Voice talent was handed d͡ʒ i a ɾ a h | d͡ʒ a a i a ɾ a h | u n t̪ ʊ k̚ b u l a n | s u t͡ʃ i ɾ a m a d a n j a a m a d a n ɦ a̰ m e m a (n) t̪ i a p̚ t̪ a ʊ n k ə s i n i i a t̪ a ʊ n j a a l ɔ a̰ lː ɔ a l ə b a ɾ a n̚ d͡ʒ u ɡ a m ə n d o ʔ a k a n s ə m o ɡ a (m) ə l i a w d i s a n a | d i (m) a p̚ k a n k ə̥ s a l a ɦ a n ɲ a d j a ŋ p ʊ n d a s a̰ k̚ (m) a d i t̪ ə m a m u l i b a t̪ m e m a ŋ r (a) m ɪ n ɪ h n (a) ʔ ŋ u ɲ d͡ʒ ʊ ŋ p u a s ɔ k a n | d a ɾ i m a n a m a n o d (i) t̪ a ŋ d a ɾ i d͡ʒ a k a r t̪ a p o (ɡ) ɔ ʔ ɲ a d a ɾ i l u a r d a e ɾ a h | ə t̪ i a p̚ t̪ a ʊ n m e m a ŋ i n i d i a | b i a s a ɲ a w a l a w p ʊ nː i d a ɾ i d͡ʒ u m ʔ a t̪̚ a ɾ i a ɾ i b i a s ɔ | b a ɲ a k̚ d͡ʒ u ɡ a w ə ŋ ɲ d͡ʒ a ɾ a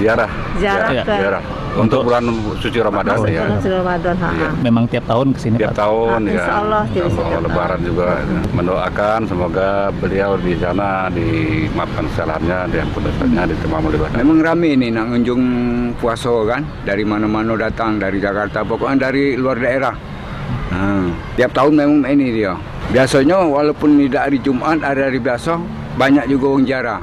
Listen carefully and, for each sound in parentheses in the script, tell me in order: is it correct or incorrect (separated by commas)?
incorrect, incorrect, correct, incorrect, correct, correct, incorrect, incorrect